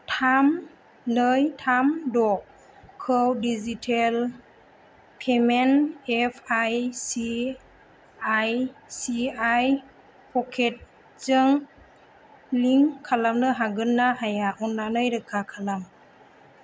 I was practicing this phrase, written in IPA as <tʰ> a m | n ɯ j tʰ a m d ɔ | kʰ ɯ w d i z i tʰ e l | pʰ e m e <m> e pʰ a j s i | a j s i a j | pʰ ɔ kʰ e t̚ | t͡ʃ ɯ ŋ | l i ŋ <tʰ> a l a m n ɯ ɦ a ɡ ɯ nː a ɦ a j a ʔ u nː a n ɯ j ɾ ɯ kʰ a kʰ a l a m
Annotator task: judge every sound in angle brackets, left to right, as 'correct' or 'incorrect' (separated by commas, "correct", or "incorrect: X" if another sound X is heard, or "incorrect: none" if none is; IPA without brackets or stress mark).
correct, incorrect: n, incorrect: kʰ